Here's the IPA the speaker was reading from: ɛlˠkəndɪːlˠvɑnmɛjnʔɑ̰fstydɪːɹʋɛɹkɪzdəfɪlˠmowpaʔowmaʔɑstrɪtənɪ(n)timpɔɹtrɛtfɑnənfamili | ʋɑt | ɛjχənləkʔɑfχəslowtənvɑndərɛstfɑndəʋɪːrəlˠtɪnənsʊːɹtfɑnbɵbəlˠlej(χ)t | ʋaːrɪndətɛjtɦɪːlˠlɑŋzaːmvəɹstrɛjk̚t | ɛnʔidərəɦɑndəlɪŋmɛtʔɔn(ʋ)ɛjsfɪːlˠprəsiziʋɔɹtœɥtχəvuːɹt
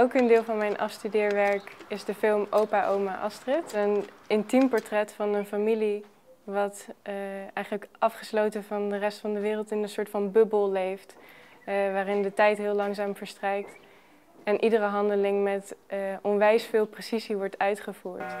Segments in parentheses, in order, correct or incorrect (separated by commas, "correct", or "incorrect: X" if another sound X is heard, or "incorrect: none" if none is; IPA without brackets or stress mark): correct, incorrect: f, correct